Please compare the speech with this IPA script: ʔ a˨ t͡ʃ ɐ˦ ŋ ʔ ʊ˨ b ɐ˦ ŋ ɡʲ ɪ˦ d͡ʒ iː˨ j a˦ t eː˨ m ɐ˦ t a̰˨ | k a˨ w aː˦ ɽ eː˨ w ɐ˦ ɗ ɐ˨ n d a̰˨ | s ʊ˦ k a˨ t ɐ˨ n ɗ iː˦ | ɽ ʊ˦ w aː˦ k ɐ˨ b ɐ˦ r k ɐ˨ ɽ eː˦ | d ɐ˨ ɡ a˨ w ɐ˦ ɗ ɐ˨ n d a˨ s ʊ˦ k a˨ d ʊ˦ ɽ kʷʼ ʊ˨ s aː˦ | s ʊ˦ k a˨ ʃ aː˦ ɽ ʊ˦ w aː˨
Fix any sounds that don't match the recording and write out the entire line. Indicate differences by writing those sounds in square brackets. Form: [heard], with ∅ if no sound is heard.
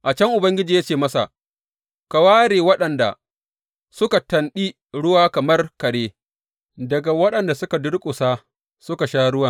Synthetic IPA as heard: ʔ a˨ t͡ʃ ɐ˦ ŋ ʔ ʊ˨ b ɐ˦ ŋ ɡʲ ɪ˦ d͡ʒ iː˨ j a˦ [t͡ʃ] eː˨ m ɐ˦ [s] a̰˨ | k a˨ w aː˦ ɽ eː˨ w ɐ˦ ɗ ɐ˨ n d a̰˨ | s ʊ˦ k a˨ t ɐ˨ n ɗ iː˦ | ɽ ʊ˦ w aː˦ k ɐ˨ [m] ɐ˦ r k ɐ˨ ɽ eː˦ | d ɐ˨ ɡ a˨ w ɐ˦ ɗ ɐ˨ n d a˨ s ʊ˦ k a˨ d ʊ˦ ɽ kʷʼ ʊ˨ s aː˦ | s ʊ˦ k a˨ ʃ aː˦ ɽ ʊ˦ w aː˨